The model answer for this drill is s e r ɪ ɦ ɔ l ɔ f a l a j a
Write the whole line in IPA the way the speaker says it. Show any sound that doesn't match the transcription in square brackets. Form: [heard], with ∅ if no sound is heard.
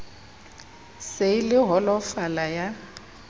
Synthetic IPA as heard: s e [l] ɪ ɦ ɔ l ɔ f a l a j a

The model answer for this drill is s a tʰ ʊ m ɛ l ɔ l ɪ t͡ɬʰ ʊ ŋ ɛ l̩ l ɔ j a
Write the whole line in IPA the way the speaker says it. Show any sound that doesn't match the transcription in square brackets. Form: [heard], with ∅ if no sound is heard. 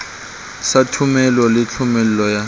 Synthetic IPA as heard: s a tʰ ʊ m ɛ l ɔ l ɪ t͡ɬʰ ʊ [m] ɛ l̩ l ɔ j a

